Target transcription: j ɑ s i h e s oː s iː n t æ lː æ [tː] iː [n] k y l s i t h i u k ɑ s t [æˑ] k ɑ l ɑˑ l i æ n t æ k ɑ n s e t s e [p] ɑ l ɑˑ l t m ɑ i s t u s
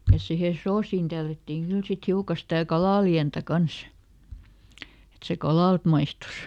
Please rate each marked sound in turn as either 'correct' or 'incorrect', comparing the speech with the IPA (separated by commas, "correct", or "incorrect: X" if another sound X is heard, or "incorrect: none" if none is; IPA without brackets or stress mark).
correct, incorrect: ŋ, correct, incorrect: k